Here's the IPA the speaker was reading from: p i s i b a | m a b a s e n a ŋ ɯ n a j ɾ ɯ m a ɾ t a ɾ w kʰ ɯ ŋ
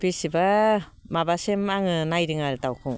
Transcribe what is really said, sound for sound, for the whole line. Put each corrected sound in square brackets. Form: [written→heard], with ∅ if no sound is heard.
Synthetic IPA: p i s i b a | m a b a s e [n→m] a ŋ ɯ n a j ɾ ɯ [m→ŋ] a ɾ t a [ɾ→∅] w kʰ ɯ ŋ